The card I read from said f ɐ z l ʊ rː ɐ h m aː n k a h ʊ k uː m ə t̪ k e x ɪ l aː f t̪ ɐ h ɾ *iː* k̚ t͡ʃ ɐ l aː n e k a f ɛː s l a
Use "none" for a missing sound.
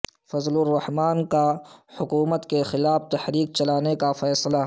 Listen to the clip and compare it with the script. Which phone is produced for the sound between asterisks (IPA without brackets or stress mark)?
iː